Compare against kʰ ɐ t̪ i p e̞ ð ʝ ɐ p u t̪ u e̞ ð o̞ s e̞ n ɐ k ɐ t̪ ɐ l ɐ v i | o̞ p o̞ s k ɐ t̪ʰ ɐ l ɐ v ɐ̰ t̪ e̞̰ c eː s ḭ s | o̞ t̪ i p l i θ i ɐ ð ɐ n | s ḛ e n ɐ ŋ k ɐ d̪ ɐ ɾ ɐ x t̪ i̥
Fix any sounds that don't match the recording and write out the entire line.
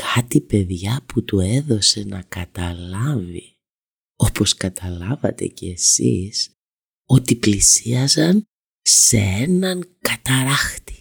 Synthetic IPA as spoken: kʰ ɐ t̪ i p e̞ ð ʝ ɐ p u t̪ u e̞ ð o̞ s e̞ n ɐ k ɐ t̪ ɐ l ɐ v i | o̞ p o̞ s k ɐ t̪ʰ ɐ l ɐ v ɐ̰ t̪ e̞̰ c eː s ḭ s | o̞ t̪ i p l i s i ɐ z ɐ n | s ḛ e n ɐ ŋ k ɐ t̪ ɐ ɾ ɐ x t̪ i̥